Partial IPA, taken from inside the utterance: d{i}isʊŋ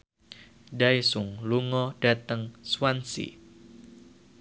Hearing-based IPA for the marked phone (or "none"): a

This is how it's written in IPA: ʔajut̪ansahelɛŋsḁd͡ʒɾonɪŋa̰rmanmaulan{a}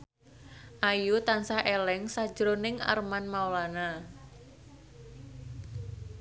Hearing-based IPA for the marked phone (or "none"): a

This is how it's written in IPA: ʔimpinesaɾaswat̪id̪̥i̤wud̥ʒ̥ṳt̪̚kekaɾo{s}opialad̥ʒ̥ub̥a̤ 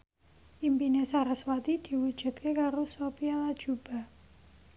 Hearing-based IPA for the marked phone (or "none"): s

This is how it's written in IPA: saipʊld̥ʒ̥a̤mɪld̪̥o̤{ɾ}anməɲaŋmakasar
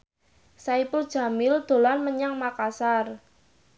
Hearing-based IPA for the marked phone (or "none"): l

